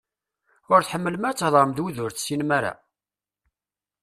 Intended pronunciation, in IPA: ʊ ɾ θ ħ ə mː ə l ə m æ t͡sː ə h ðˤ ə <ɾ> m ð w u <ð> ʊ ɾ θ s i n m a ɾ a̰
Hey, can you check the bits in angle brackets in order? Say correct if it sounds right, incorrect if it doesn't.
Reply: correct, correct

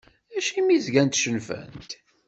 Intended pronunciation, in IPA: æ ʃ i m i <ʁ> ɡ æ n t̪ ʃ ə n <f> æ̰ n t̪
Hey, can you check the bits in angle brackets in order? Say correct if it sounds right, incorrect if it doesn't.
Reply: incorrect, correct

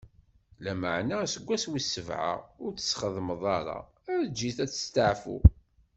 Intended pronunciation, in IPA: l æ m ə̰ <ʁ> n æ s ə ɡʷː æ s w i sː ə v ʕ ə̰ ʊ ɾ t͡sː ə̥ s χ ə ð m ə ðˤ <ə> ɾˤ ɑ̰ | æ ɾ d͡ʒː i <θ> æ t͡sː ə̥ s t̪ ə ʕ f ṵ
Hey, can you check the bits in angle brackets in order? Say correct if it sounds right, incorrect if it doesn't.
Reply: incorrect, incorrect, correct

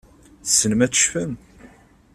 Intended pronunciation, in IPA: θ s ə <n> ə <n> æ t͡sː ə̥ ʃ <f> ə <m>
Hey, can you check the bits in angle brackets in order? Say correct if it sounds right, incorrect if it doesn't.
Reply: correct, incorrect, correct, correct

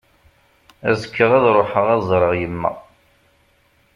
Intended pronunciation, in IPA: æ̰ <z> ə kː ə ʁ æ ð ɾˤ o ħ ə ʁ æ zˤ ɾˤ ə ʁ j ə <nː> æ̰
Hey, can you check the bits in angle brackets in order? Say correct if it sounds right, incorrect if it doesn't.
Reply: correct, incorrect

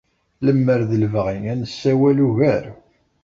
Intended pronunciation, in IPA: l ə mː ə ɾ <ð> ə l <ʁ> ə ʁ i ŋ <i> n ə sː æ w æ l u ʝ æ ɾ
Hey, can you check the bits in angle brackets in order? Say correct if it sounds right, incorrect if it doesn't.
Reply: correct, incorrect, incorrect

